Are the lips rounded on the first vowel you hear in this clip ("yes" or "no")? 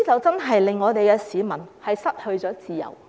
no